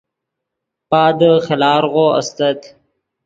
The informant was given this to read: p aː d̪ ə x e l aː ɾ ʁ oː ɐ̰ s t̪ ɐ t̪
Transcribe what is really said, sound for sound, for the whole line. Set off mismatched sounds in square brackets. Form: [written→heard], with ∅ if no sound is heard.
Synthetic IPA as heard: p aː d̪ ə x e l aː ɾ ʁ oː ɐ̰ s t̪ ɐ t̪

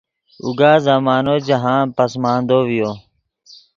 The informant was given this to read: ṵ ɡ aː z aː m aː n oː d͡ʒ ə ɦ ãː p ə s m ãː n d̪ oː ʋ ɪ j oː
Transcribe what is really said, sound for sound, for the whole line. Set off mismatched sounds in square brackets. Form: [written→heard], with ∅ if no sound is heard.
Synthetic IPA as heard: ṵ ɡ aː z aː m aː n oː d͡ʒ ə ɦ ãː p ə s m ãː n d̪ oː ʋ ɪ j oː

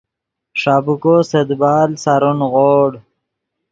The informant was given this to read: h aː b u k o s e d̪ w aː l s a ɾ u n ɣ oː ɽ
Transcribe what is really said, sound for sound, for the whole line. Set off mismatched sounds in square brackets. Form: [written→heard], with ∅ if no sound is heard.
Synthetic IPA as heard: [h→ʂ] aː b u k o s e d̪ [w→b] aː l s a ɾ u n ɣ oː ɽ

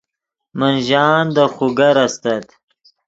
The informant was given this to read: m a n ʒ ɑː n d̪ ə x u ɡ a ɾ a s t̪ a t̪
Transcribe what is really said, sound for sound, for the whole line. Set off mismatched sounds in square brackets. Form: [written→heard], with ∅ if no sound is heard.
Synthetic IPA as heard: m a n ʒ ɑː n d̪ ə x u ɡ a ɾ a s t̪ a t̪

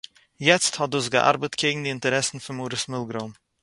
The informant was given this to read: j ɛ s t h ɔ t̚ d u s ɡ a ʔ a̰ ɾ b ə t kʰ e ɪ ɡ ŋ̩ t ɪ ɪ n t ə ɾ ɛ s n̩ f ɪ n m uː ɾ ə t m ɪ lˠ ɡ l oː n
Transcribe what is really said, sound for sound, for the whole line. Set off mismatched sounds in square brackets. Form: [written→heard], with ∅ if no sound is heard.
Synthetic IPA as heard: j ɛ [s→t͡s] t h ɔ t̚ d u s ɡ [a→ə] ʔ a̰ ɾ b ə t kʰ e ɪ ɡ ŋ̩ [t→d] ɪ ɪ n t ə ɾ ɛ s n̩ f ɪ n m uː ɾ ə [t→s] m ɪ lˠ ɡ [l→ɾ] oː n

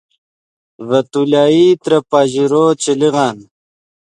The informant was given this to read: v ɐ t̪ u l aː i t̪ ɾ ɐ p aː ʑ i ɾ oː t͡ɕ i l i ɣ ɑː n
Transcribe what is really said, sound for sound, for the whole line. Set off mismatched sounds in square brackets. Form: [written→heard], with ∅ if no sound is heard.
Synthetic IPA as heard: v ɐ t̪ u l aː i t̪ ɾ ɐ p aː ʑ i ɾ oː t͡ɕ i l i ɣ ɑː n

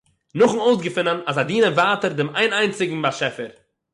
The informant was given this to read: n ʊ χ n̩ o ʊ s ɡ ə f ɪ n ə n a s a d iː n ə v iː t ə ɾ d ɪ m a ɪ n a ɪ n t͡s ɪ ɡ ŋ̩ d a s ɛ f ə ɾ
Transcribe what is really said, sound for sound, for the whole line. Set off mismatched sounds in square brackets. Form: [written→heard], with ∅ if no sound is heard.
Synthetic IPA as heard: n ʊ χ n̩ o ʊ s ɡ ə f ɪ n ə n a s a d iː n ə v [iː→aː] t ə ɾ d ɪ m a ɪ n a ɪ n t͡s ɪ ɡ ŋ̩ [d→b] a [s→ʃ] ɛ f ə ɾ

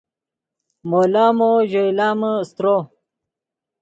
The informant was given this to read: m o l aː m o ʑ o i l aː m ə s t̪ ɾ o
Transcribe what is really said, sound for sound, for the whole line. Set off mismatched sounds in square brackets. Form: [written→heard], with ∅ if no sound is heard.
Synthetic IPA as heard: m o l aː m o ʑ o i l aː m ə s t̪ ɾ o

